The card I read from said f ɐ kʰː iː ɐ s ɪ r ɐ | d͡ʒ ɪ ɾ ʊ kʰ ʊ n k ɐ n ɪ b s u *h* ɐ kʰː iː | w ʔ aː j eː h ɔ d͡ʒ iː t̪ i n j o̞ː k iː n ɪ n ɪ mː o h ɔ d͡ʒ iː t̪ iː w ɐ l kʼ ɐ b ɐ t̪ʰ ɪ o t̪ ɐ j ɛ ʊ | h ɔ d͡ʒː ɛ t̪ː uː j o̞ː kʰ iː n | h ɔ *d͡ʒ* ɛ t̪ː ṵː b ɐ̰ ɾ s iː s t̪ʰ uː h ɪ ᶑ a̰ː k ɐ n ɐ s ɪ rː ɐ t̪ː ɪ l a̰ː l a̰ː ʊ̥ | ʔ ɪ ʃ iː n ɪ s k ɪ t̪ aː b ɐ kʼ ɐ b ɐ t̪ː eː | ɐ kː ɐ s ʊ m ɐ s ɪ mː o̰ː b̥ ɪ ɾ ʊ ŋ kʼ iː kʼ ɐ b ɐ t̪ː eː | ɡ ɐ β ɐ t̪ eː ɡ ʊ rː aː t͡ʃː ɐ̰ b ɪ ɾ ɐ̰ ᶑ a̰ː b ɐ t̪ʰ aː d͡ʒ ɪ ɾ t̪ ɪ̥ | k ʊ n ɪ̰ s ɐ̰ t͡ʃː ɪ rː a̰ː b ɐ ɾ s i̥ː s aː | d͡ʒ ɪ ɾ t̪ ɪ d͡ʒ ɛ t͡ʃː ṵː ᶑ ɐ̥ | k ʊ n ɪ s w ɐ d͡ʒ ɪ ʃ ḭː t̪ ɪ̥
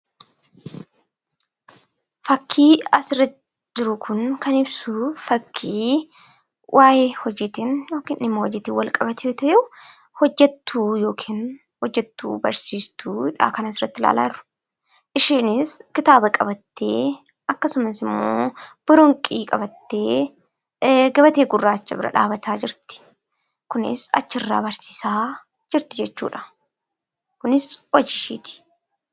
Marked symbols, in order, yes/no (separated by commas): no, no